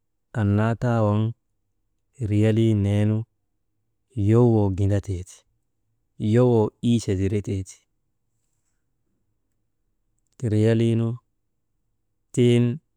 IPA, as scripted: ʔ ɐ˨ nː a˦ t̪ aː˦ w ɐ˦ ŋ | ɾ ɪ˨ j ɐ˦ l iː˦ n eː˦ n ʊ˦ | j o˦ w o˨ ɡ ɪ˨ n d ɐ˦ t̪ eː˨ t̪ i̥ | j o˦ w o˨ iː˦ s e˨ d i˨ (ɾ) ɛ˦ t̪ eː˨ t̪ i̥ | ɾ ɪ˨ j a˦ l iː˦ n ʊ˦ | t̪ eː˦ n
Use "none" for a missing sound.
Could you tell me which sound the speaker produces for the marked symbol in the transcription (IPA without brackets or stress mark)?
ɾ